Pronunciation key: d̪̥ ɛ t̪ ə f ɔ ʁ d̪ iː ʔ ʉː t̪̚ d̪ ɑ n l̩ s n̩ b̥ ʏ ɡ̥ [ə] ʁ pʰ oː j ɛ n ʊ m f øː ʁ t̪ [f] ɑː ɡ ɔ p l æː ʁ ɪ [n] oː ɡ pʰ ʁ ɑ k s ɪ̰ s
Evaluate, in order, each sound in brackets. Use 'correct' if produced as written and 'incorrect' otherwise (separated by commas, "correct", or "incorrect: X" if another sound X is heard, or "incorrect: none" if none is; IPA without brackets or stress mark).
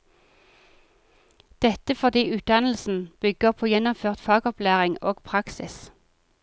correct, correct, incorrect: ŋ